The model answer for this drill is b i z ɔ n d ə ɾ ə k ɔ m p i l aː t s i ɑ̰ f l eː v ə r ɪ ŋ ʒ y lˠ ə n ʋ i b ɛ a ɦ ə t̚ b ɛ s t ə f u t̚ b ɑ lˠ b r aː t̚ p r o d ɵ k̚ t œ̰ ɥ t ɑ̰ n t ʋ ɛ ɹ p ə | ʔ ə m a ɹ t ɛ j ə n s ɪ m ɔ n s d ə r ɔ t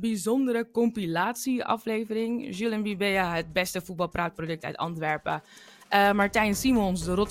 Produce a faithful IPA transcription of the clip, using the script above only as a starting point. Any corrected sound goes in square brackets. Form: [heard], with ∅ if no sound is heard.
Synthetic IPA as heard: b i z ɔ n d ə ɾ ə k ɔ m p i l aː t s i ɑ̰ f l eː v ə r ɪ ŋ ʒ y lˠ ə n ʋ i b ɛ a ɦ ə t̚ b ɛ s t ə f u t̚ b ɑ lˠ [p] r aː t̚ p r o d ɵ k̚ t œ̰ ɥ t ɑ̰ n t ʋ ɛ ɹ p ə | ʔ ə m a ɹ t ɛ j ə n s [i] m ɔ n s d ə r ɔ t